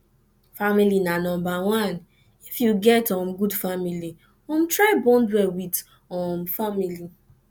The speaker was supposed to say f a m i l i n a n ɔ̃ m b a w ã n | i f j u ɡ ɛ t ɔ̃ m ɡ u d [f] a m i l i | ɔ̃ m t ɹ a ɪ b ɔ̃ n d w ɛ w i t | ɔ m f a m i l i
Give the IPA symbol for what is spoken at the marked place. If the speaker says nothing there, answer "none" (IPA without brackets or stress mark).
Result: f